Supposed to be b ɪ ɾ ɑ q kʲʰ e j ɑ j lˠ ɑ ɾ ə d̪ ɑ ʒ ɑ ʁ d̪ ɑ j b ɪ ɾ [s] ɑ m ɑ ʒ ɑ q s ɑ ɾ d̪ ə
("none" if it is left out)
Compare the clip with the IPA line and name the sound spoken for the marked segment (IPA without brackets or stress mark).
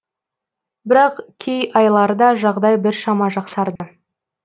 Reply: ʃ